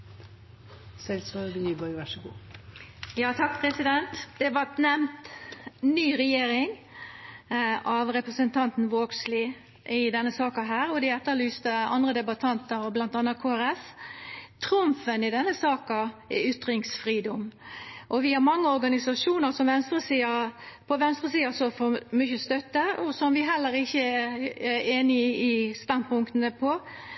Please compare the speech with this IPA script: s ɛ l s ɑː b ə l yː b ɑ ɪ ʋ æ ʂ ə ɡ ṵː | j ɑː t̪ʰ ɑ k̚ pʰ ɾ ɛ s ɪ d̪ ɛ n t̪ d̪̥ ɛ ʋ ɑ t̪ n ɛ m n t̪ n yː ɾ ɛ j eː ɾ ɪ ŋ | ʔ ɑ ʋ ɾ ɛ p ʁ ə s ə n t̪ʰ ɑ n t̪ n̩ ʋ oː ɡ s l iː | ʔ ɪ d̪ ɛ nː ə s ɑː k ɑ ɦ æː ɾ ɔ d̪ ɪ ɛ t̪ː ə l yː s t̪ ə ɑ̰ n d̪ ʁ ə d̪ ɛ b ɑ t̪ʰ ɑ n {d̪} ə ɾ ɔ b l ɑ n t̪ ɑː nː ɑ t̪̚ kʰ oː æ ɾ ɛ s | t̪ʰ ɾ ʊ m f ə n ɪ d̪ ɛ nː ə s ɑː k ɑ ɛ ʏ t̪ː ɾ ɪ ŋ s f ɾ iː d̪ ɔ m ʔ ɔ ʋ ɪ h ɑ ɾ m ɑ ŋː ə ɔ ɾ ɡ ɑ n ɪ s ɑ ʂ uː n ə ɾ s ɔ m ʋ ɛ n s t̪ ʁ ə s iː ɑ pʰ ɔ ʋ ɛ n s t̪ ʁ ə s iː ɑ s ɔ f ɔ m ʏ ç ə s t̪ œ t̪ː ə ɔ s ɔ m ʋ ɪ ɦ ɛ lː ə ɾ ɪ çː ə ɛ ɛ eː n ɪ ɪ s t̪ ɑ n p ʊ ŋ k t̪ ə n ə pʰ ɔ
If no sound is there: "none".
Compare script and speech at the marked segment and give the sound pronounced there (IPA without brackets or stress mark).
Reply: t̪